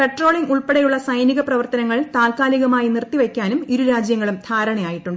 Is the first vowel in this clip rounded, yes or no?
no